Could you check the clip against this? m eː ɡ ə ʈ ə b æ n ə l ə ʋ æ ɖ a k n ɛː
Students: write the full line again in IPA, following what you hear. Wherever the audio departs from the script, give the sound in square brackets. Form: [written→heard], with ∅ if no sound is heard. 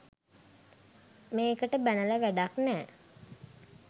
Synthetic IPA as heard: m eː [ɡ→k] ə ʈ ə b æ n ə l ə ʋ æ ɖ a k n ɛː